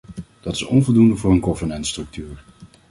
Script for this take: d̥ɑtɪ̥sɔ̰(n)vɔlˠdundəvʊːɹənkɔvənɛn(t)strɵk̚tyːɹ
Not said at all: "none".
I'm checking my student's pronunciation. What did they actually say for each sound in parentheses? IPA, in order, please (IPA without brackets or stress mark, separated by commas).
n, t